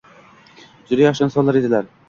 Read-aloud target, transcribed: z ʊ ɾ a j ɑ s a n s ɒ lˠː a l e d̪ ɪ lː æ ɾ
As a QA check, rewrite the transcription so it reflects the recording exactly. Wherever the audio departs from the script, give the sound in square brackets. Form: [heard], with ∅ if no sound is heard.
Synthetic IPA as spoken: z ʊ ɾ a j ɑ [ʃ] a n s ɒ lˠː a [ɾ] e d̪ ɪ [l] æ ɾ

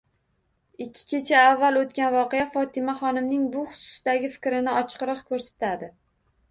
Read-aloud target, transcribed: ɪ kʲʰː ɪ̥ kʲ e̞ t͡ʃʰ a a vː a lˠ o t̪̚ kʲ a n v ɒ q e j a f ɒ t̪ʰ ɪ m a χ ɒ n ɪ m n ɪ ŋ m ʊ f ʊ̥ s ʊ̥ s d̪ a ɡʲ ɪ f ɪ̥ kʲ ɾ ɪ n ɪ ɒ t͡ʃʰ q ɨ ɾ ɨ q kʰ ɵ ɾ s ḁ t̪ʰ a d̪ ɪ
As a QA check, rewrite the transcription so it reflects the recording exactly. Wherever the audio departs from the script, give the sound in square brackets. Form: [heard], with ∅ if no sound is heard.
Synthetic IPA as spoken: ɪ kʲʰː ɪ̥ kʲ e̞ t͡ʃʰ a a vː a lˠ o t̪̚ kʲ a n v ɒ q e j a f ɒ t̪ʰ ɪ m a χ ɒ n ɪ m n ɪ ŋ [b] ʊ [χ] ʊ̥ s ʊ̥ s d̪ a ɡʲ ɪ f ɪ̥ kʲ ɾ ɪ n ɪ ɒ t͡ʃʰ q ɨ ɾ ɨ q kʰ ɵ ɾ s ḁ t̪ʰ a d̪ ɪ

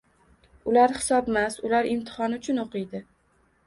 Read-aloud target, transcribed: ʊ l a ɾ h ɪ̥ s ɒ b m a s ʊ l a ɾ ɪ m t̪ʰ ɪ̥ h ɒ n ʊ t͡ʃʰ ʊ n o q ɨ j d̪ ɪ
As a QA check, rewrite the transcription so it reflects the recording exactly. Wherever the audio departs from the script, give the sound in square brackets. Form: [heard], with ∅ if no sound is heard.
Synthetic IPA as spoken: ʊ l a ɾ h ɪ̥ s ɒ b m a s ʊ l a ɾ ɪ m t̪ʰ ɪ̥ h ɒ n ʊ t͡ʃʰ ʊ n o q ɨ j d̪ ɪ

